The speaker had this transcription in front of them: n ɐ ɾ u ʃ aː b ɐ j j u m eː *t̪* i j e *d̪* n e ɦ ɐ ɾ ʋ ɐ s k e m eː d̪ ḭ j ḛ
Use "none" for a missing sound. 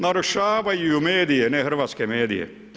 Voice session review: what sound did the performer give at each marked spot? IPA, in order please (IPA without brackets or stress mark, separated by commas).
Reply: d̪, none